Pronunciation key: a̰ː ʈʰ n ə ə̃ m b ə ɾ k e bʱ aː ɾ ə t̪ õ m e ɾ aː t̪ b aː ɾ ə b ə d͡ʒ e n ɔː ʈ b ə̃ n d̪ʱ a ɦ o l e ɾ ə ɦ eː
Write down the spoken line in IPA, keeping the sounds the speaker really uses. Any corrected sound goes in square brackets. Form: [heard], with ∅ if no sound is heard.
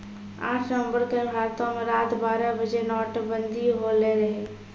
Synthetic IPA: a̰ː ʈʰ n ə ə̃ m b ə ɾ k e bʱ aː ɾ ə t̪ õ m e ɾ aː t̪ b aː ɾ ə b ə d͡ʒ e n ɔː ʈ b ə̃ n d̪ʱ [i] ɦ o l e ɾ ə ɦ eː